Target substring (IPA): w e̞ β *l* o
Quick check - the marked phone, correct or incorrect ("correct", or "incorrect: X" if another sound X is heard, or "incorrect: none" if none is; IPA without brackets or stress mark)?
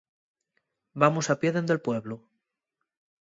correct